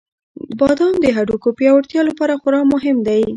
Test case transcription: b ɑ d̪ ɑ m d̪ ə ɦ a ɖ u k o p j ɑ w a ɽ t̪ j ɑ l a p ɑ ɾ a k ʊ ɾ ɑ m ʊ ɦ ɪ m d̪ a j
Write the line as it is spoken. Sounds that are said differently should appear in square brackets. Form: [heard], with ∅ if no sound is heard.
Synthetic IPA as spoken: b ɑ d̪ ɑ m d̪ ə ɦ a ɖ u k o p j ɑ w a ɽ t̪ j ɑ l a p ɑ ɾ a [x] ʊ ɾ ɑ m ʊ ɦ ɪ m d̪ a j